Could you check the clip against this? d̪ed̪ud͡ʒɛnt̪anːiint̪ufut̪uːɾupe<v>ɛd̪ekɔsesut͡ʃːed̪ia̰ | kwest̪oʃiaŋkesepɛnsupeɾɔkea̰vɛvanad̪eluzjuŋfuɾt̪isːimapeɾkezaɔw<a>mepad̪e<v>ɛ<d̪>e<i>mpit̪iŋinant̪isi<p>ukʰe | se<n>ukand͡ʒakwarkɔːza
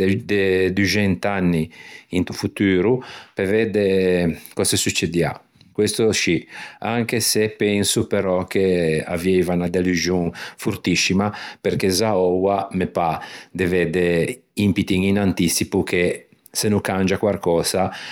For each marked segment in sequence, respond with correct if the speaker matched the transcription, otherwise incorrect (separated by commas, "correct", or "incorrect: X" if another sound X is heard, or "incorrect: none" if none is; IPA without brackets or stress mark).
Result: correct, correct, correct, correct, correct, correct, correct